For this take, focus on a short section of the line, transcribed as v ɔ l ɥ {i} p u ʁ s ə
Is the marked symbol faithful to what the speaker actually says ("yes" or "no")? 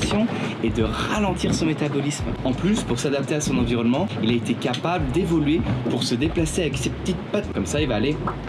no